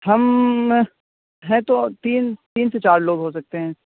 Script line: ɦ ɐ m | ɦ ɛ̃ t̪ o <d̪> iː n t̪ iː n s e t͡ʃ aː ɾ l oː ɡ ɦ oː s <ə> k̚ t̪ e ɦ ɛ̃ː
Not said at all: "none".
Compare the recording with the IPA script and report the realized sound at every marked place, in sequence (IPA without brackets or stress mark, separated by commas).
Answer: t̪, ɐ